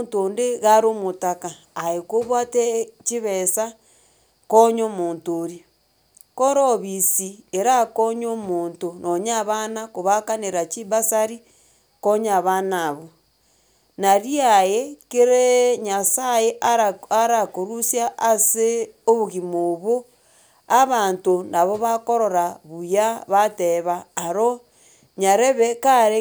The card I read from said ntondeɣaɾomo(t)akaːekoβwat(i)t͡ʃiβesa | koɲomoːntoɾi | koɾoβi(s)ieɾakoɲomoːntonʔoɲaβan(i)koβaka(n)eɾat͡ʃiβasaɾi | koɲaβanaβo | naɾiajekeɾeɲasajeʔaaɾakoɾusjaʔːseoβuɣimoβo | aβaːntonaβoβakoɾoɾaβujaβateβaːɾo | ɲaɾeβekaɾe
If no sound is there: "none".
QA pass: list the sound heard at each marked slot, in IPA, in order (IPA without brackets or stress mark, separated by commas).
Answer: t, e, s, a, n